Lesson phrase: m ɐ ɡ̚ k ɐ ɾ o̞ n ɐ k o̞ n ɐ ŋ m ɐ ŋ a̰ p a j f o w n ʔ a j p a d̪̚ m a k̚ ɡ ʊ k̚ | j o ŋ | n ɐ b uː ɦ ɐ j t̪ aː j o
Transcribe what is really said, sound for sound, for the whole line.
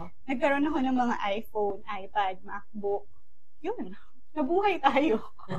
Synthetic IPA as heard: n ɐ ɡ̚ k ɐ ɾ o̞ n ɐ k o̞ n ɐ ŋ m ɐ ŋ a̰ ʔ a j f o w n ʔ a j p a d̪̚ m a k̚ b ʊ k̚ | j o n | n ɐ b uː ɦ ɐ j t̪ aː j o